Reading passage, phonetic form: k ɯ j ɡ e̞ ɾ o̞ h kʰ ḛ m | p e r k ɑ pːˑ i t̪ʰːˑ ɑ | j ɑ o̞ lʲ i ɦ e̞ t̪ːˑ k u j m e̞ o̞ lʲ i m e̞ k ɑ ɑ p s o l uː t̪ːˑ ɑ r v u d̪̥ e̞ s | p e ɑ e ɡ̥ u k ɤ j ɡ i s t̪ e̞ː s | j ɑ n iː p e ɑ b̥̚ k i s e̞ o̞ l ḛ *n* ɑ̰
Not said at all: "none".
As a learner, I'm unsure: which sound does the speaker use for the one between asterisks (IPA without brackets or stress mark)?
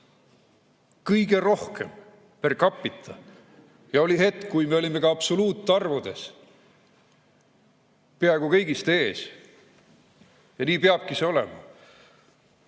m